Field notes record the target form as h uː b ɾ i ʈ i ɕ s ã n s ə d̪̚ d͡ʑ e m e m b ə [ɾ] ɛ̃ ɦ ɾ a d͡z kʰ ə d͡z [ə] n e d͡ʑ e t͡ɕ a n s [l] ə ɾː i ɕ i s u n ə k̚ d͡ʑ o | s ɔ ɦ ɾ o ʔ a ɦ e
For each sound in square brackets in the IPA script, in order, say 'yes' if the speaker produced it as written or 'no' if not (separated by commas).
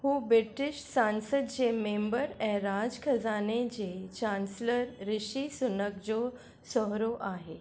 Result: yes, no, yes